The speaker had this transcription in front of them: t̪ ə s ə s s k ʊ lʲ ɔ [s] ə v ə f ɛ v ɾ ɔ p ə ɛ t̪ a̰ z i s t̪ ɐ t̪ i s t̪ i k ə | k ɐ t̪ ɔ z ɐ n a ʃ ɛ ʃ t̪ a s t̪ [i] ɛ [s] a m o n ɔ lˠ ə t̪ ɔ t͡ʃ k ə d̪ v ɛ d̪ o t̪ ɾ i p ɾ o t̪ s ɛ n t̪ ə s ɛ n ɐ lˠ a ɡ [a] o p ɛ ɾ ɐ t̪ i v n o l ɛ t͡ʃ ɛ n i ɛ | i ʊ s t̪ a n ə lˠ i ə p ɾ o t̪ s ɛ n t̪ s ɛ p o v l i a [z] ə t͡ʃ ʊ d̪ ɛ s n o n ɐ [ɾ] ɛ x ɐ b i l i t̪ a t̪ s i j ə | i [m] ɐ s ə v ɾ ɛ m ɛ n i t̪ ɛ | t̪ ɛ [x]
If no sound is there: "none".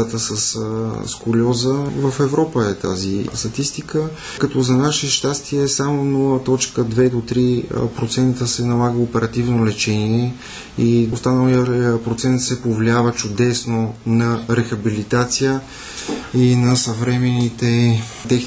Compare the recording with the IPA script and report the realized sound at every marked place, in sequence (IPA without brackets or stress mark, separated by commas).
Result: z, i, s, ə, v, ɾ, n, x